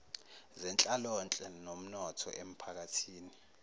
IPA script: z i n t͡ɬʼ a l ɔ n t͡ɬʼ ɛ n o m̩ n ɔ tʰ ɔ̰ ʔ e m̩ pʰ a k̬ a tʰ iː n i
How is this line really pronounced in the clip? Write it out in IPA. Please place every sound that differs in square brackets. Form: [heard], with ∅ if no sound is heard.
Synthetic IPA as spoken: z [ɛ] n t͡ɬʼ a l ɔ n t͡ɬʼ ɛ n o m̩ n ɔ tʰ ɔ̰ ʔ e m̩ pʰ a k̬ a tʰ iː n i